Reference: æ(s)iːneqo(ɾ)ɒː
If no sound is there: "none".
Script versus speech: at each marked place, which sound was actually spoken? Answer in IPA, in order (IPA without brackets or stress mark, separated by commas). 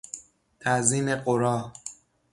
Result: z, ɾ